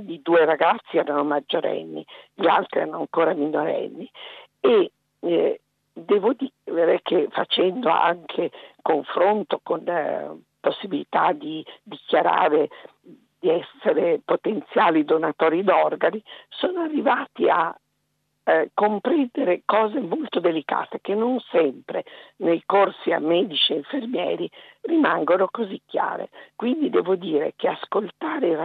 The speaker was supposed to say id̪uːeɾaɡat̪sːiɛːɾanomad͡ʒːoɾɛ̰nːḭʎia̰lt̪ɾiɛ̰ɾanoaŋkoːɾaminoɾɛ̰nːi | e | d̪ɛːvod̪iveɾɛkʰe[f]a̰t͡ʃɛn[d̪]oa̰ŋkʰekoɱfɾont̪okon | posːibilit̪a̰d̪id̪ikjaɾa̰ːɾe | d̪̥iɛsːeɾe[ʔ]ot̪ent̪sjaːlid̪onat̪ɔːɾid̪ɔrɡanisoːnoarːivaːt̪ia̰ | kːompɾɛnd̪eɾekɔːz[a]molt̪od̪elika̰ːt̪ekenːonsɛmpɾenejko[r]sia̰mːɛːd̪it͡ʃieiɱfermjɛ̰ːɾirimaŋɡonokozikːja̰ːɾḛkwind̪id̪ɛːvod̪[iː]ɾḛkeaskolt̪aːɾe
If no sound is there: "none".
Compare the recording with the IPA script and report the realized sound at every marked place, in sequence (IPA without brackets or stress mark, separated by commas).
f, d̪, p, e, r, iː